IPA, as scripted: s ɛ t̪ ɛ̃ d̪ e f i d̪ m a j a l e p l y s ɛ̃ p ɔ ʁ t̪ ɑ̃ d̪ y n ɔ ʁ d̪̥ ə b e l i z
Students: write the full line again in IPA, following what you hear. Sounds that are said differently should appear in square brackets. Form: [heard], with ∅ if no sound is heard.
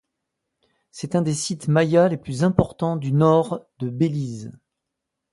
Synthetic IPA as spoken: s ɛ t̪ ɛ̃ d̪ e [s] i [t̪] m a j a l e p l y [z] ɛ̃ p ɔ ʁ t̪ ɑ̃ d̪ y n ɔ ʁ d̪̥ ə b e l i z